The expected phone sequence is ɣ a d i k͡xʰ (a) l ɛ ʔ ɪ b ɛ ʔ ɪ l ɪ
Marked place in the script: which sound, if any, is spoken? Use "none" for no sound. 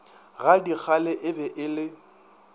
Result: a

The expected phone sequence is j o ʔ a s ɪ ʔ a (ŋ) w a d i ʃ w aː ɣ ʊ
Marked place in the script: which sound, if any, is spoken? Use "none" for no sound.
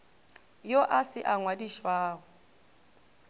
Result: ŋ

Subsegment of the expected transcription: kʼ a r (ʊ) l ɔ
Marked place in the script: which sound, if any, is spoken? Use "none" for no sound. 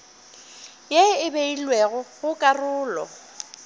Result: ʊː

